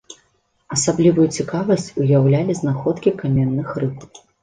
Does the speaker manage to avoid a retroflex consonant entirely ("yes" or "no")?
yes